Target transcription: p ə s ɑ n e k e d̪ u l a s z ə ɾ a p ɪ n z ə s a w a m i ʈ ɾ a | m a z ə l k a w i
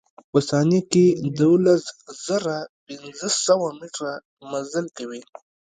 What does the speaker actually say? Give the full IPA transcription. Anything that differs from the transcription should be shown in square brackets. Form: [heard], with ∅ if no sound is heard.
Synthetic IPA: p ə s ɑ n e k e d̪ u l a s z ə ɾ a p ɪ n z ə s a w a m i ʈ ɾ a | m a z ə l k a w i